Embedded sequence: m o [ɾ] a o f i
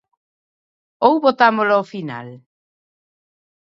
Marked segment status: incorrect: l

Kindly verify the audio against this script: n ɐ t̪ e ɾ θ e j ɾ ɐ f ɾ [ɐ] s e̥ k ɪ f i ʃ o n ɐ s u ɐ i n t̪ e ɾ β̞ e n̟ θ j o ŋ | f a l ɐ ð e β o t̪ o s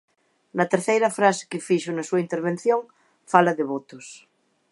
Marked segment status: incorrect: a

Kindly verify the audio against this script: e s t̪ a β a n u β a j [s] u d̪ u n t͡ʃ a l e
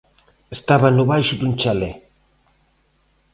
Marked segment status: incorrect: ʃ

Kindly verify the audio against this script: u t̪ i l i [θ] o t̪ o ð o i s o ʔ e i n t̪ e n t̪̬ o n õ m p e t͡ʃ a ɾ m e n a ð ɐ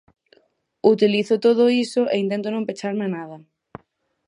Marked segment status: correct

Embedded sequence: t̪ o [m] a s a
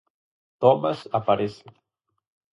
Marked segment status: correct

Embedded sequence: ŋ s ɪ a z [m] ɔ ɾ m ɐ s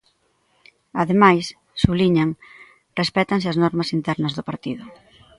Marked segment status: incorrect: n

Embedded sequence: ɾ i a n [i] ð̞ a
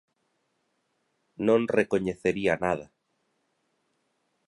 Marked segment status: incorrect: a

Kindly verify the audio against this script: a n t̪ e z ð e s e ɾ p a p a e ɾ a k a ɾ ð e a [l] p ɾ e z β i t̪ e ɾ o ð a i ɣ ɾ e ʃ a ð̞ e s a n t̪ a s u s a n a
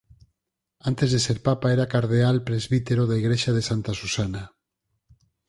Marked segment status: correct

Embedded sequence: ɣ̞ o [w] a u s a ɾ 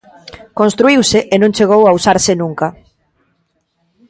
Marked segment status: correct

